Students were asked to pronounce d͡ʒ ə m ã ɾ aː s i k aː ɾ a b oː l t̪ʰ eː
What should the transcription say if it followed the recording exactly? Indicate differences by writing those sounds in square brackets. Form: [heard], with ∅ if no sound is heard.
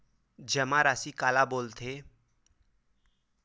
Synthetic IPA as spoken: d͡ʒ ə m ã ɾ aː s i k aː [l] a b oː l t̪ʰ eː